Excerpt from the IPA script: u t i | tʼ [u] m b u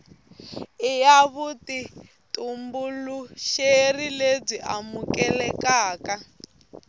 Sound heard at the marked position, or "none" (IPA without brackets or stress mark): u